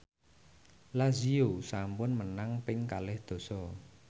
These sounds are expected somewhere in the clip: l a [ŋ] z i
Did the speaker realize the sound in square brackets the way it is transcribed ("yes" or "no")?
no